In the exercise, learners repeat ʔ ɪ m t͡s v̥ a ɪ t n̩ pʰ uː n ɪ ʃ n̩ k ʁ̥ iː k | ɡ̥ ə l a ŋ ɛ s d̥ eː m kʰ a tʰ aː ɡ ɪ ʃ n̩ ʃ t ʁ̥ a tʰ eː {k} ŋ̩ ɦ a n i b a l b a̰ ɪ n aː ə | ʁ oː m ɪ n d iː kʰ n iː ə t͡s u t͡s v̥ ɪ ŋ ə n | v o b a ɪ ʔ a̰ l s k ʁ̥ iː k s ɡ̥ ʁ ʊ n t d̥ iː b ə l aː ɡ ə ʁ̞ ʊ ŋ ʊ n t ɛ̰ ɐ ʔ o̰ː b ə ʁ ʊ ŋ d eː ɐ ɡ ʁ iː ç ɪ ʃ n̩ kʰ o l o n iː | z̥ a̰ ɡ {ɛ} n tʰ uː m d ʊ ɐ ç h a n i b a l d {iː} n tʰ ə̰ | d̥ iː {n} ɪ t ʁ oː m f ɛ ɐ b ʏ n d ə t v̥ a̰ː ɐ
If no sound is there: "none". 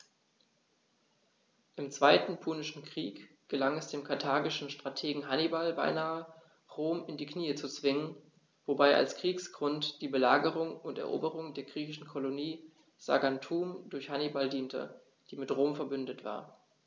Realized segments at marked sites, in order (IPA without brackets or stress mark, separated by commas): ɡ, a, iː, m